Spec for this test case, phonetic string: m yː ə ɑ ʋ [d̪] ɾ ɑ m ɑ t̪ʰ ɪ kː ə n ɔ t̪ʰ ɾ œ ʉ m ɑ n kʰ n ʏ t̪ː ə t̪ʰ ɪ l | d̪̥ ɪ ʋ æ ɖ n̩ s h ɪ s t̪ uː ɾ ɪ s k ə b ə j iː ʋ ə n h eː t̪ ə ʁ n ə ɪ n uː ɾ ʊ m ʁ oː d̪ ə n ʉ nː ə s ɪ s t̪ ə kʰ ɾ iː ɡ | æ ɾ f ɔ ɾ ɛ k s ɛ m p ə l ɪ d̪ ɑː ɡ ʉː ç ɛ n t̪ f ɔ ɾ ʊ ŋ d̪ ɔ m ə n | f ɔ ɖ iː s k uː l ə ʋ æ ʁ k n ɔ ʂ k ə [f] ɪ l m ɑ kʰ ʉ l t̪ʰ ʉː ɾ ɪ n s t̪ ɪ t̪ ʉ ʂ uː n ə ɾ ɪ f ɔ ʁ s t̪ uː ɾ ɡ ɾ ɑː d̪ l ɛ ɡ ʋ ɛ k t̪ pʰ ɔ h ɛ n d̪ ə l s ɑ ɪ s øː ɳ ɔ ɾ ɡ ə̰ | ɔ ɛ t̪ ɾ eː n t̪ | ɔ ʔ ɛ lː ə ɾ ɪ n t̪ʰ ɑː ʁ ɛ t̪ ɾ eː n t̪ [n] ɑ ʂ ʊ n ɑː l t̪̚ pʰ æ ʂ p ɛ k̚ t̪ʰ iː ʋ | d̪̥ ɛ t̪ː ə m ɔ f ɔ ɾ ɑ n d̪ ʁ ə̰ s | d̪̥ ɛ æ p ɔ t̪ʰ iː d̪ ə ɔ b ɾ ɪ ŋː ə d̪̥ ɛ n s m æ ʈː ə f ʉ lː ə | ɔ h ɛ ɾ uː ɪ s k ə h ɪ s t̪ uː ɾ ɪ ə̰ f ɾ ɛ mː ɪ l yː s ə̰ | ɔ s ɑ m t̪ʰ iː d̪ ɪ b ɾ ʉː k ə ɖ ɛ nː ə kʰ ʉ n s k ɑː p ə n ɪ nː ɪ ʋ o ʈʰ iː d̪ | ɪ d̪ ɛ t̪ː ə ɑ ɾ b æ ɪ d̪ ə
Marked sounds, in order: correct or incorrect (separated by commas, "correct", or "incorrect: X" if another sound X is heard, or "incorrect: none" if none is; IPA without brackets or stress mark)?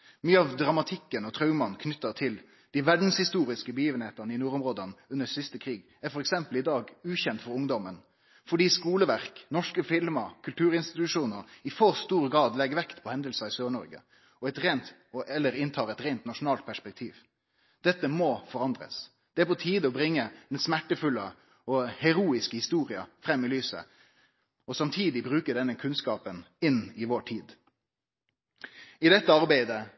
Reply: correct, correct, correct